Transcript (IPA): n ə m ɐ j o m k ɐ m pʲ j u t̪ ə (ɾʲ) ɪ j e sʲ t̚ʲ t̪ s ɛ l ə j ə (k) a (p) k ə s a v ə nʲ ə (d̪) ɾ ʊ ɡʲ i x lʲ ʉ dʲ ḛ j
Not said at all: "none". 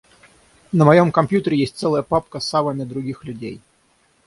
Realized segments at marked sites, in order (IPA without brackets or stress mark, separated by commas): ɾʲ, p, p, d̪